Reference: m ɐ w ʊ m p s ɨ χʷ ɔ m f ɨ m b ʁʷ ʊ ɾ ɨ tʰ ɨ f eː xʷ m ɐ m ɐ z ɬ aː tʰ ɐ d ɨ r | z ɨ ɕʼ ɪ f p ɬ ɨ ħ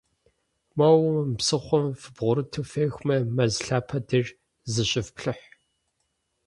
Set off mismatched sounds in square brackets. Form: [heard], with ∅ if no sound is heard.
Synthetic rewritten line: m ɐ w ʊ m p s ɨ χʷ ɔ m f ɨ [∅] b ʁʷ ʊ ɾ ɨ tʰ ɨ f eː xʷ m ɐ m ɐ z ɬ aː [pʰ] ɐ d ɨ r | z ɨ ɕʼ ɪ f p ɬ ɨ ħ